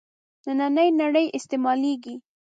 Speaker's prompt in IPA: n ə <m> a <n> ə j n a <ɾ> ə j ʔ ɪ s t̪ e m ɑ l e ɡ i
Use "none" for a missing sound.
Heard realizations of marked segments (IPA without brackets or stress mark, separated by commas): n, n, ɽ